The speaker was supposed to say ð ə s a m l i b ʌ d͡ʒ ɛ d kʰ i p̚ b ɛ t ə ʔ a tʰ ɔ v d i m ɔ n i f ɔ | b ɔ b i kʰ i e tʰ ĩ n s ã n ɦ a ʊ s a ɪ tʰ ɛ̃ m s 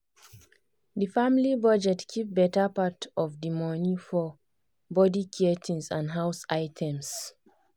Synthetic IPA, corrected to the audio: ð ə f a m l i b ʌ d͡ʒ ɛ t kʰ i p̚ b ɛ t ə p a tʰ ɔ v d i m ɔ n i f ɔ | b ɔ d i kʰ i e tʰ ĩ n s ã n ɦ a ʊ s a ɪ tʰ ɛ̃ m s